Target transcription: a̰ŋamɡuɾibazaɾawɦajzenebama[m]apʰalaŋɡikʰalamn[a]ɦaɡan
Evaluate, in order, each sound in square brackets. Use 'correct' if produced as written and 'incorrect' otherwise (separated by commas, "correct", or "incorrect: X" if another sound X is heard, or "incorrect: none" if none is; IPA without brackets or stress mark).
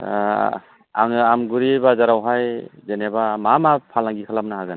correct, correct